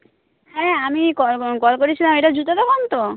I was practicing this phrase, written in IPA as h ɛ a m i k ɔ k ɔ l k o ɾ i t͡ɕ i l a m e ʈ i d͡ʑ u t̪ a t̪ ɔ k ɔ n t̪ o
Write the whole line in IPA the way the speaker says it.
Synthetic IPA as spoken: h ɛ a m i k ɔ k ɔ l k o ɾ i t͡ɕʰ i l a m e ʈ a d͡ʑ u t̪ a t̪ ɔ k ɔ n t̪ o